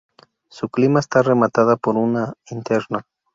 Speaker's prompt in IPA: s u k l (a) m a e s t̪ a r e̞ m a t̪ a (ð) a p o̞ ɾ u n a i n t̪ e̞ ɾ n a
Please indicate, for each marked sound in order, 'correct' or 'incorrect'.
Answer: incorrect, correct

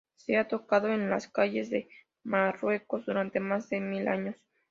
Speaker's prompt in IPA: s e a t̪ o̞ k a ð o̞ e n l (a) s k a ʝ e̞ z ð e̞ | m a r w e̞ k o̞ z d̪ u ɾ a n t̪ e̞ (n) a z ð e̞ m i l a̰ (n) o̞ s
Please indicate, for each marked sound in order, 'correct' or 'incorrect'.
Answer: correct, incorrect, incorrect

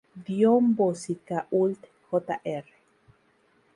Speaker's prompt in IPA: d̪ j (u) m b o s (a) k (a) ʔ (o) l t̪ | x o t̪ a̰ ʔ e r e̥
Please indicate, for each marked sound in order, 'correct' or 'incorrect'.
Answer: incorrect, incorrect, correct, incorrect

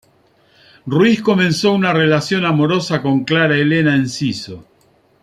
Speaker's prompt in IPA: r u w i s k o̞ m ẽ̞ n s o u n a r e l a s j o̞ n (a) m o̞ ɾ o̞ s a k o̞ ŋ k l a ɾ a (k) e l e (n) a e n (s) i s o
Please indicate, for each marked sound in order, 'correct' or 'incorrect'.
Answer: correct, incorrect, correct, correct

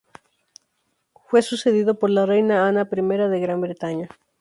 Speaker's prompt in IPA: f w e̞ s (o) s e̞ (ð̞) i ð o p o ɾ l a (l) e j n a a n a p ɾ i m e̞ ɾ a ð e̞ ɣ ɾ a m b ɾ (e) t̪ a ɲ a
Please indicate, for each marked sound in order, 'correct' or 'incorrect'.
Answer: incorrect, correct, incorrect, correct

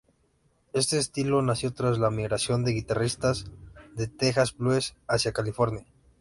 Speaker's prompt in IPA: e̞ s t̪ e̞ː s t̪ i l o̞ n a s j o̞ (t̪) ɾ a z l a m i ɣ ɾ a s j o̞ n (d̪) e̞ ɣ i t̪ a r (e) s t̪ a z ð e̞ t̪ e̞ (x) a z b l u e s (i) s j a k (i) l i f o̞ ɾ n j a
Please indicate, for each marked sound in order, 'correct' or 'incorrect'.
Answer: correct, correct, incorrect, correct, incorrect, incorrect

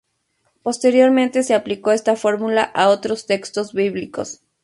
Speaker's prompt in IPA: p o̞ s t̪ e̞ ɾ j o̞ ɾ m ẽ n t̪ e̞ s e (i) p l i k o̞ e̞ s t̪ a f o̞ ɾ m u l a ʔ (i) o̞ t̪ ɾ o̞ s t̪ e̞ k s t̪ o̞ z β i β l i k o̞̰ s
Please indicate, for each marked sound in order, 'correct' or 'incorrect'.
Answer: incorrect, incorrect

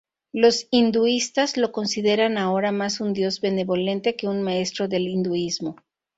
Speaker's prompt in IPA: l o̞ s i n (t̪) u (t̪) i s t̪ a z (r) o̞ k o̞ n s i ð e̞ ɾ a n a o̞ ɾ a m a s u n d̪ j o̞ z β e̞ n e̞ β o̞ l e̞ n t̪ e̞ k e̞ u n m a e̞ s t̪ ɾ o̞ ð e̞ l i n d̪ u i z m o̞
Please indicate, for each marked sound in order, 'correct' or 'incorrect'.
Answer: incorrect, incorrect, incorrect

